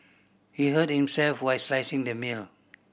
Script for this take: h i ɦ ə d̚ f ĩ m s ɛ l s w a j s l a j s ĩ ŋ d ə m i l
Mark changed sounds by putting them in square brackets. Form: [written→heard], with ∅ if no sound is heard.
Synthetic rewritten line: h i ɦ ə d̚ [f→h] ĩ m s ɛ l [s→f] w a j s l a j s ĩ ŋ d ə m i l